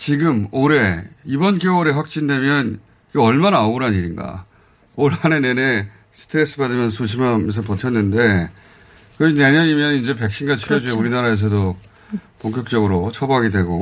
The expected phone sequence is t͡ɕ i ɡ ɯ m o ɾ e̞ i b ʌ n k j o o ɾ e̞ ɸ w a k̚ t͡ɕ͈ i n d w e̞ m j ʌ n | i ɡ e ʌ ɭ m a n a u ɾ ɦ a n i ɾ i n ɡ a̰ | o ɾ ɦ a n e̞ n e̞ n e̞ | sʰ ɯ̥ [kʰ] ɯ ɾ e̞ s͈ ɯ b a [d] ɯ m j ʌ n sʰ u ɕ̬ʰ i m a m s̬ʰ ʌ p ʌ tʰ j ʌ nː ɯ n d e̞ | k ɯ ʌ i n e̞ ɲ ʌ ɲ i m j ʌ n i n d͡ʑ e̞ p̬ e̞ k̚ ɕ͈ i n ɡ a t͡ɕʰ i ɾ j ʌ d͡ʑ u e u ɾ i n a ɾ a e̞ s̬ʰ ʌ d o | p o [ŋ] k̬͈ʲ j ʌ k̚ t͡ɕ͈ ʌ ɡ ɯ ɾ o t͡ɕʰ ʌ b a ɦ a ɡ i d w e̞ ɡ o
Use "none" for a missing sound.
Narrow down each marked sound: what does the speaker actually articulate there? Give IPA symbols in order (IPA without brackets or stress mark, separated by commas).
tʰ, d, ŋ